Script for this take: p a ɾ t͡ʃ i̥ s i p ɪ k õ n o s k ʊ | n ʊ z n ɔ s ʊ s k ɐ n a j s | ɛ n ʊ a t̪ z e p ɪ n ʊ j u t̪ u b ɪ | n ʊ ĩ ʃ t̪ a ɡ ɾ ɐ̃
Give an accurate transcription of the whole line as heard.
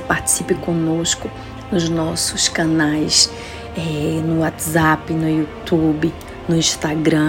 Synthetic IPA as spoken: p a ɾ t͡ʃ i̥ s i p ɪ k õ n o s k ʊ | n ʊ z n ɔ s ʊ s k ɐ n a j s | ɛ n ʊ a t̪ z a p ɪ n ʊ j u t̪ u b ɪ | n ʊ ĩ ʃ t̪ a ɡ ɾ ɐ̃